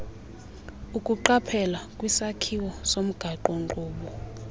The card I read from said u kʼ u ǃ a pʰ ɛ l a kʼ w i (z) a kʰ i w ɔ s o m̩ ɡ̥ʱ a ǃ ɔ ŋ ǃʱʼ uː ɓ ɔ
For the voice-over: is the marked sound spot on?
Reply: no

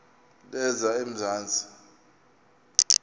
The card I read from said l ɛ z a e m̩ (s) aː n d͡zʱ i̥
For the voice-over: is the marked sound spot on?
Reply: no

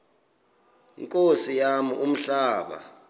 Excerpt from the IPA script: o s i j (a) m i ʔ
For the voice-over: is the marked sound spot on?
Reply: yes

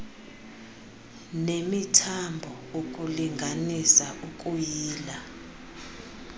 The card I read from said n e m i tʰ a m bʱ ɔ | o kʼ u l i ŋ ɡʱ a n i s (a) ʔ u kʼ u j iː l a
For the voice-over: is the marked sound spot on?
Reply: yes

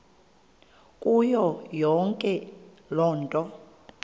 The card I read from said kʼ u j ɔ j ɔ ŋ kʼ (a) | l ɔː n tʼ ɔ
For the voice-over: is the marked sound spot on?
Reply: no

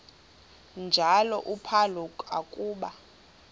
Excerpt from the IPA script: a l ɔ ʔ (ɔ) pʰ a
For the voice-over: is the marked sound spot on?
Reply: no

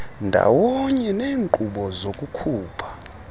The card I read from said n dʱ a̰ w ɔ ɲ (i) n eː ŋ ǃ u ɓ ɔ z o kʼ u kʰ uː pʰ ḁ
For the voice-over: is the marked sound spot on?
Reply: no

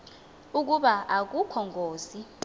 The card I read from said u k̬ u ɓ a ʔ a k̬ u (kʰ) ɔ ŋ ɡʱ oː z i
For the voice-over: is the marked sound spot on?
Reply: yes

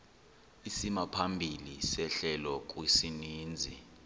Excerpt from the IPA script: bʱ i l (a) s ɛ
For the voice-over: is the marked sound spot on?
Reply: no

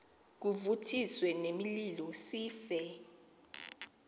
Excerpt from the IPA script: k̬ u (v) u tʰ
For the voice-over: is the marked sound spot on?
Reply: yes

